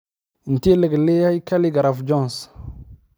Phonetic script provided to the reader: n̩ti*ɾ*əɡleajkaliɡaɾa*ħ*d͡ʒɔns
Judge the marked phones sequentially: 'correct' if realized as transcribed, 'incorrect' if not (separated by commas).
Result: incorrect, incorrect